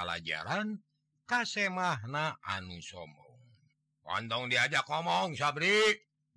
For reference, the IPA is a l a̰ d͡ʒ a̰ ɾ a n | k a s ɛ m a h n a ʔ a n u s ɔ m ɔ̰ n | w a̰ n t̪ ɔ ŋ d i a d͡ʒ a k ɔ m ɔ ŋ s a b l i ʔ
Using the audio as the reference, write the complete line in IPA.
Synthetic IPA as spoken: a l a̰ d͡ʒ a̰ ɾ a n | k a s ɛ m a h n a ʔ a n u s ɔ m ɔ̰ ŋ | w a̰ n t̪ ɔ ŋ d i a d͡ʒ a k ɔ m ɔ ŋ s a b ɾ i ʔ